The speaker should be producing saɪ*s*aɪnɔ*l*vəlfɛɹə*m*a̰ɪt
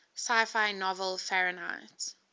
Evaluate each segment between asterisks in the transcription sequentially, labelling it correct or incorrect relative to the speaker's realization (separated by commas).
incorrect, incorrect, incorrect